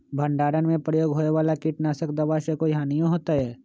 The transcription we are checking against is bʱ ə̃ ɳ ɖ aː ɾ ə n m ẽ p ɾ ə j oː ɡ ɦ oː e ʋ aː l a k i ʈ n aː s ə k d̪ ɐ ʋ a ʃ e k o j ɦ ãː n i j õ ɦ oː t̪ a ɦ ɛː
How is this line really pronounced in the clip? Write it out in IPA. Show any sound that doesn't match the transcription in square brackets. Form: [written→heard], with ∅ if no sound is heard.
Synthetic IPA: bʱ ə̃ ɳ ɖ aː ɾ ə n m ẽ p ɾ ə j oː ɡ ɦ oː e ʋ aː l a k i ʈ n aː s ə k d̪ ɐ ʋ a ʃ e k o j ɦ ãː n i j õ ɦ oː t̪ a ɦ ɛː